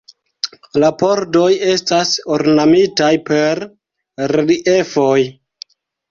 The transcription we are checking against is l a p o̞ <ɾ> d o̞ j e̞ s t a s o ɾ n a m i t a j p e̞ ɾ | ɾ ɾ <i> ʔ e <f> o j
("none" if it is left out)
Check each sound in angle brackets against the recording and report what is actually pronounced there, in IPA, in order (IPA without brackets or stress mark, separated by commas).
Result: ɾ, i, f